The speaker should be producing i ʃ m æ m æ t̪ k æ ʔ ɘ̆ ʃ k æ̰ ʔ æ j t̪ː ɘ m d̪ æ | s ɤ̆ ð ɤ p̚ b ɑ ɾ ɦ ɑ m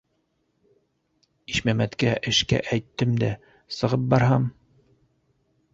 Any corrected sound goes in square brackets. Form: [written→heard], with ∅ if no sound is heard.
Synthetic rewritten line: i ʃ m æ m æ t̪ k æ ʔ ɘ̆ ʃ k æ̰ ʔ æ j t̪ː ɘ m d̪ æ | s ɤ̆ [ð→ʁ] ɤ p̚ b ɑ ɾ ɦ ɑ m